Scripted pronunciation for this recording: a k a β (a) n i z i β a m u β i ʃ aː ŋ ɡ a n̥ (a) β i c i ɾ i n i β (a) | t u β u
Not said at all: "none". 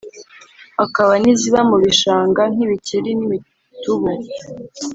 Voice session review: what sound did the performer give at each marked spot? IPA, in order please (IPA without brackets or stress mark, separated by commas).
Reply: a, i, i